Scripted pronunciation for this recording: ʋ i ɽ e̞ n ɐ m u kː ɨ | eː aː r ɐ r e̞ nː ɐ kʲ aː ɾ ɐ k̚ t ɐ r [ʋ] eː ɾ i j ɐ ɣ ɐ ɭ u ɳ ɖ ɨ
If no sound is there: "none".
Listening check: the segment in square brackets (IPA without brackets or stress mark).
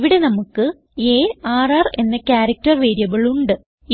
ʋ